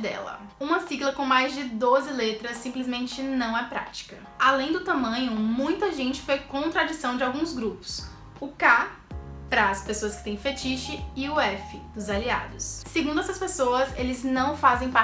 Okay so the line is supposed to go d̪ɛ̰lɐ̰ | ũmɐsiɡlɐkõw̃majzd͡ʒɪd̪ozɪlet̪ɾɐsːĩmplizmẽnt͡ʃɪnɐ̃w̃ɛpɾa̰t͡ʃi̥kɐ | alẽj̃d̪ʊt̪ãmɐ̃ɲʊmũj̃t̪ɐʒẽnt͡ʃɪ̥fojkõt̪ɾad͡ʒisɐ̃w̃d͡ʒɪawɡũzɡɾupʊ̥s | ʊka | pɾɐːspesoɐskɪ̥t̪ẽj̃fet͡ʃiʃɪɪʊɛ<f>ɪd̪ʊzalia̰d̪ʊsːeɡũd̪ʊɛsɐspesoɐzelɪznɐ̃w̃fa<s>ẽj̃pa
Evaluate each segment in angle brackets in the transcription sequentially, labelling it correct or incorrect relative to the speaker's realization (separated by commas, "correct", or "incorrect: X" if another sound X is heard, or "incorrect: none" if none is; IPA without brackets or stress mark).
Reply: correct, incorrect: z